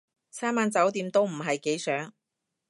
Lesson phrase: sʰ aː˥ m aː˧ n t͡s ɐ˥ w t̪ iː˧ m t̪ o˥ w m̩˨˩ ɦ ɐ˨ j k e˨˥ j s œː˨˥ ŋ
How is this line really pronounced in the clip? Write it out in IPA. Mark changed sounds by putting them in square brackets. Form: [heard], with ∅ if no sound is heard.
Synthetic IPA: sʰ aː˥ m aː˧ n t͡s [ɐ˨˥] w t̪ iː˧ m t̪ o˥ w m̩˨˩ ɦ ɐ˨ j k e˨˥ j s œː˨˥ ŋ